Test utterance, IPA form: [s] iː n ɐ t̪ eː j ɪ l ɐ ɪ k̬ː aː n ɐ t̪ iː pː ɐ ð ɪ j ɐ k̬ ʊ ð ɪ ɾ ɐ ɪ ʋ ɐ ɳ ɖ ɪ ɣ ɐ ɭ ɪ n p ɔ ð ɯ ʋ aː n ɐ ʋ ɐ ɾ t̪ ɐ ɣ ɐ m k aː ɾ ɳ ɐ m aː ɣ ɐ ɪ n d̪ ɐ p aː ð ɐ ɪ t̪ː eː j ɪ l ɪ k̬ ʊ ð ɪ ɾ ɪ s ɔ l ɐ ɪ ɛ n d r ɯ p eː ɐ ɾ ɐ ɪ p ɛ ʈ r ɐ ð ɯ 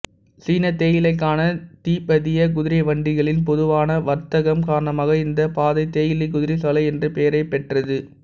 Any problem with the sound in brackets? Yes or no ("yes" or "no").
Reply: no